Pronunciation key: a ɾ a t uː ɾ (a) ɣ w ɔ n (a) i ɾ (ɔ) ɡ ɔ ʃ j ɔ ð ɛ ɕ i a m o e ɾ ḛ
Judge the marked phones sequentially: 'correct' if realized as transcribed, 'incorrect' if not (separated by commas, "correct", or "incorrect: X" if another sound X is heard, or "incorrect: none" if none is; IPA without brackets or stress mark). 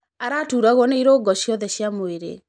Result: correct, incorrect: e, incorrect: o